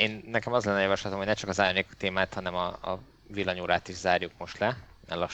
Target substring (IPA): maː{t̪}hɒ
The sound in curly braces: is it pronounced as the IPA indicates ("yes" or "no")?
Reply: yes